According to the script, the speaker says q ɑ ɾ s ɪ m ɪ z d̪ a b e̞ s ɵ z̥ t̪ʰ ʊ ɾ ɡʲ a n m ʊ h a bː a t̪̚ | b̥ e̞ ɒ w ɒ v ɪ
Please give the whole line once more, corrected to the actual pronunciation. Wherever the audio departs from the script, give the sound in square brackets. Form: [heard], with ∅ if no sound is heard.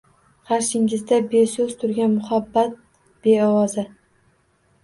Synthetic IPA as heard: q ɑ ɾ [ʃ] ɪ [ŋ] ɪ z d̪ a b e̞ s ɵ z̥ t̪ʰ ʊ ɾ ɡʲ a n m ʊ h a bː a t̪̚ | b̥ e̞ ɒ w ɒ [z] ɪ